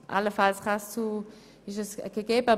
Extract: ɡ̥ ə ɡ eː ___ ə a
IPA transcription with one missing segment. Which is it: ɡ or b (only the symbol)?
b